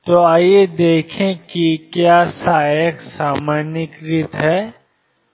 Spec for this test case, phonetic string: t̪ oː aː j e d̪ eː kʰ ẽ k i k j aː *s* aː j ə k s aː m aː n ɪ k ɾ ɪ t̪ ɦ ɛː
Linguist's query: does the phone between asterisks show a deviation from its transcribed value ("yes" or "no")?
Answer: no